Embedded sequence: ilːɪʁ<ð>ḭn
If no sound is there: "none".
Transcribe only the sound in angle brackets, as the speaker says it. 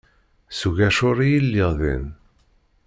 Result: ð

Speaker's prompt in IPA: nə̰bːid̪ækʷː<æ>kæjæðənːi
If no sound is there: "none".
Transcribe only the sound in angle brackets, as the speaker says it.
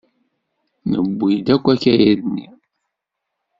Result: æ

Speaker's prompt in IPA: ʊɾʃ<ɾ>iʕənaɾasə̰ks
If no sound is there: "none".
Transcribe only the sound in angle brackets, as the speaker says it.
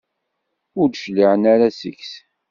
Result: l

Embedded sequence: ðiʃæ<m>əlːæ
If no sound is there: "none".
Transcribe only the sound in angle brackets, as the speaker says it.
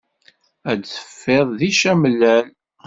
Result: m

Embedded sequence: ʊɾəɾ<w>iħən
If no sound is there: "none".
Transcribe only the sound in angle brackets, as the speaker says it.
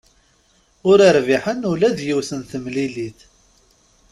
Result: v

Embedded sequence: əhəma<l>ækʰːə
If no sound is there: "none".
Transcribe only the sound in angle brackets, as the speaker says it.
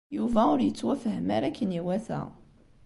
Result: ɾ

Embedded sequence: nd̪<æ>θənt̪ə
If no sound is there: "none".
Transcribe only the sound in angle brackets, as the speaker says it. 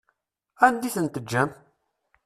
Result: i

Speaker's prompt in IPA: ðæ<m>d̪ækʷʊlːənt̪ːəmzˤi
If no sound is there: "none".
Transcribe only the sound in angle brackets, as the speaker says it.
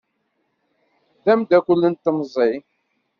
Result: m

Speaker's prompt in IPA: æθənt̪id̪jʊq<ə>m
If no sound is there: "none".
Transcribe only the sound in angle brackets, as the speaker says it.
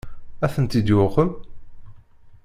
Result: ə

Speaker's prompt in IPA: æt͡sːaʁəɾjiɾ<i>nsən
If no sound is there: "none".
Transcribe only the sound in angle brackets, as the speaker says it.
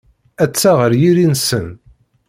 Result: i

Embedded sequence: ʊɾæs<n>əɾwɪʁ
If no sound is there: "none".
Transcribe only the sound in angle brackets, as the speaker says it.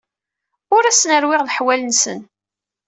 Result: n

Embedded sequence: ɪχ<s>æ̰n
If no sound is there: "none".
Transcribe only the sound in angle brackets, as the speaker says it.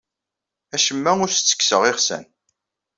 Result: s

